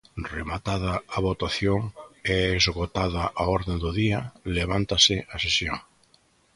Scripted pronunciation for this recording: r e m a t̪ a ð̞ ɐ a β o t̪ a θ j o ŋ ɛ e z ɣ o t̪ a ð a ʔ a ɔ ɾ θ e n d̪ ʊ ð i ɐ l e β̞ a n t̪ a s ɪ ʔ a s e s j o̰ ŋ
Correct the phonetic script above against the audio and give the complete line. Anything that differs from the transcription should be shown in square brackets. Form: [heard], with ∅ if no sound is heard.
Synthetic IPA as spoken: r e m a t̪ a ð̞ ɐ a β o t̪ a θ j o ŋ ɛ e z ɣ o t̪ a ð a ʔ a ɔ ɾ [ð] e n d̪ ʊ ð i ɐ l e β̞ a n t̪ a s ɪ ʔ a s e s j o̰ ŋ